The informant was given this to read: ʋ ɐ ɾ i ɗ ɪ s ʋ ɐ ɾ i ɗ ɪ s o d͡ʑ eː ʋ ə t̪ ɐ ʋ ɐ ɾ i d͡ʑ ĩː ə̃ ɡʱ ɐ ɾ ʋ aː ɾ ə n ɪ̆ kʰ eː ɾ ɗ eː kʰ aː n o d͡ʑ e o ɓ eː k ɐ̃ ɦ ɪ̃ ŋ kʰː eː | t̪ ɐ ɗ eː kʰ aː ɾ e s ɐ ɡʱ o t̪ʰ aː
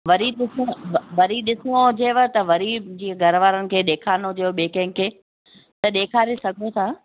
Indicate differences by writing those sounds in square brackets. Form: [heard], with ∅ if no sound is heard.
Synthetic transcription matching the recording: ʋ ɐ ɾ i ɗ ɪ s ʋ ɐ ɾ i ɗ ɪ s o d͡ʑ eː ʋ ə t̪ ɐ ʋ ɐ ɾ i d͡ʑ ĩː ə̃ ɡʱ ɐ ɾ ʋ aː ɾ ə n ɪ̆ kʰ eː [∅] ɗ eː kʰ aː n o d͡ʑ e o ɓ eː k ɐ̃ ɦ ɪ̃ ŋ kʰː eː | t̪ ɐ ɗ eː kʰ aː ɾ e s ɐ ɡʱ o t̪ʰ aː